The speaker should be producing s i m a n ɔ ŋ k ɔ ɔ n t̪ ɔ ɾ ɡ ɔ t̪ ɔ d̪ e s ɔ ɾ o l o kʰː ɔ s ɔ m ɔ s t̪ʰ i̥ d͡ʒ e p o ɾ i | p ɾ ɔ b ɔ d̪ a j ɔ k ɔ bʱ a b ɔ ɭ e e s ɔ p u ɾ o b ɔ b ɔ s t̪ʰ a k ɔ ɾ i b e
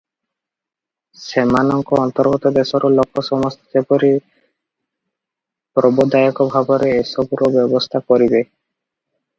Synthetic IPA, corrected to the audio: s e m a n ɔ ŋ k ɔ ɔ n t̪ ɔ ɾ ɡ ɔ t̪ ɔ d̪ e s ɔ ɾ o l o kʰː ɔ s ɔ m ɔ s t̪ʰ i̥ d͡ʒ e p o ɾ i | p ɾ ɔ b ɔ d̪ a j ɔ k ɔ bʱ a b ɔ ɾ e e s ɔ b u ɾ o b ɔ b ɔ s t̪ʰ a k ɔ ɾ i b e